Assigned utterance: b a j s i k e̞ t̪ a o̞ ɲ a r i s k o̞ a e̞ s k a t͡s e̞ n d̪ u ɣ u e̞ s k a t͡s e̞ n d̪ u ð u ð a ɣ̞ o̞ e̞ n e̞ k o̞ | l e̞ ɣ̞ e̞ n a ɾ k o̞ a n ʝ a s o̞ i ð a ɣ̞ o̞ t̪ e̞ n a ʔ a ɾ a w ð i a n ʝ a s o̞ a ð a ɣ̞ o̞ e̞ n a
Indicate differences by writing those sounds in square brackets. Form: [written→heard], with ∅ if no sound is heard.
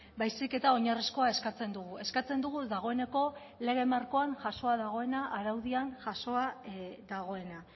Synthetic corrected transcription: b a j s i k e̞ t̪ a o̞ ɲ a r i s k o̞ a e̞ s k a t͡s e̞ n d̪ u ɣ u e̞ s k a t͡s e̞ n d̪ u [ð→ɣ] u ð a ɣ̞ o̞ e̞ n e̞ k o̞ | l e̞ ɣ̞ e̞ [n→m] a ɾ k o̞ a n ʝ a s o̞ [i→a] ð a ɣ̞ o̞ [t̪→∅] e̞ n a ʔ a ɾ a w ð i a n ʝ a s o̞ a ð a ɣ̞ o̞ e̞ n a

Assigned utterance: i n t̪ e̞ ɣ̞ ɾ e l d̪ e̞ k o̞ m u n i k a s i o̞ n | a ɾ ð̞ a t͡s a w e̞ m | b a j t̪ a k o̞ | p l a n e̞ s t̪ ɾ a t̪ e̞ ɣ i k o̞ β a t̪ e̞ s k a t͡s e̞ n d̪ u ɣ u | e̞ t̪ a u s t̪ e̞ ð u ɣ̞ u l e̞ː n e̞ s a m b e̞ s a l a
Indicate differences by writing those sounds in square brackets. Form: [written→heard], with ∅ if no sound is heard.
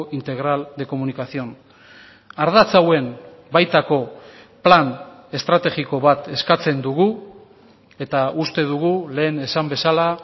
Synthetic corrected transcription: i n t̪ e̞ ɣ̞ ɾ [e→a] l d̪ e̞ k o̞ m u n i k a s i o̞ n | a ɾ ð̞ a t͡s a w e̞ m | b a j t̪ a k o̞ | p l a n e̞ s t̪ ɾ a t̪ e̞ ɣ i k o̞ β a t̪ e̞ s k a t͡s e̞ n d̪ u ɣ u | e̞ t̪ a u s t̪ e̞ ð u ɣ̞ u l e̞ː n e̞ s a m b e̞ s a l a

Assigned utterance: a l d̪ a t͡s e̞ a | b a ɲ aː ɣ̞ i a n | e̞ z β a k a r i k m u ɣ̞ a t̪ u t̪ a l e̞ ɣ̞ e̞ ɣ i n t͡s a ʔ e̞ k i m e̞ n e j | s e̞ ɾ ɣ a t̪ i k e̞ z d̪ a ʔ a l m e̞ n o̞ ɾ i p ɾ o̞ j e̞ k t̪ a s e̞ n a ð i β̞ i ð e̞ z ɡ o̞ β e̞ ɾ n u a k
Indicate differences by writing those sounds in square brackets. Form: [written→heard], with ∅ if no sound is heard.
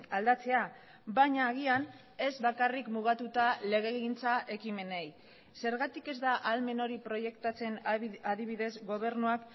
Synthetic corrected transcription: a l d̪ a t͡s e̞ a | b a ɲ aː ɣ̞ i a n | e̞ z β a k a r i k m u ɣ̞ a t̪ u t̪ a l e̞ ɣ̞ e̞ ɣ i n t͡s a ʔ e̞ k i m e̞ n e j | s e̞ ɾ ɣ a t̪ i k e̞ z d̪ a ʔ a l m e̞ n o̞ ɾ i p ɾ o̞ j e̞ k t̪ a [s→t͡s] e̞ n a ð i β̞ i ð e̞ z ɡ o̞ β e̞ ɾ n u a k

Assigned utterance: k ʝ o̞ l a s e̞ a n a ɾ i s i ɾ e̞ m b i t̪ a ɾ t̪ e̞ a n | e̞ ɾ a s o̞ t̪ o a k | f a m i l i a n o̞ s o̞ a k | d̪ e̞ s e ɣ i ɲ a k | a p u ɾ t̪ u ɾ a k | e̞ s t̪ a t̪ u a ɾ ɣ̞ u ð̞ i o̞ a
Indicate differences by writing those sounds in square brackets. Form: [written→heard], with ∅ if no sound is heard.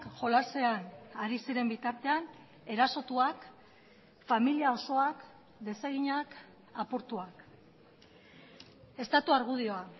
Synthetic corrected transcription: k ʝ o̞ l a s e̞ a n a ɾ i s i ɾ e̞ m b i t̪ a ɾ t̪ e̞ a n | e̞ ɾ a s o̞ t̪ [o→u] a k | f a m i l i a [n→∅] o̞ s o̞ a k | d̪ e̞ s e ɣ i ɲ a k | a p u ɾ t̪ u [ɾ→∅] a k | e̞ s t̪ a t̪ u a ɾ ɣ̞ u ð̞ i o̞ a

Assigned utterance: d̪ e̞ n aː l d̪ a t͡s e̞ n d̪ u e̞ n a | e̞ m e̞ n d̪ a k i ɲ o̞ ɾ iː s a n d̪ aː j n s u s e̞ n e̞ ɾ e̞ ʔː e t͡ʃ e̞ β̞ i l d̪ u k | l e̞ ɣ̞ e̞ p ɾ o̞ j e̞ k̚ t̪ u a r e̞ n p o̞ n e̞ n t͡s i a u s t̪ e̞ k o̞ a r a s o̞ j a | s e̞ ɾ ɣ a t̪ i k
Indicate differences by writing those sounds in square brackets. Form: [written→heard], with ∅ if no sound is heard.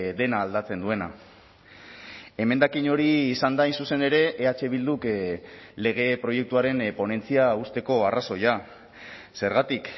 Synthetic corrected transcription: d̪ e̞ n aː l d̪ a t͡s e̞ n d̪ u e̞ n a | e̞ m e̞ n d̪ a k i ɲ o̞ ɾ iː s a n d̪ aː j n s u s e̞ n e̞ ɾ e̞ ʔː [e→a] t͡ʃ e̞ β̞ i l d̪ u k | l e̞ ɣ̞ e̞ p ɾ o̞ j e̞ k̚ t̪ u a [r→ɾ] e̞ n p o̞ n e̞ n t͡s i a u s t̪ e̞ k o̞ a r a s o̞ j a | s e̞ ɾ ɣ a t̪ i k

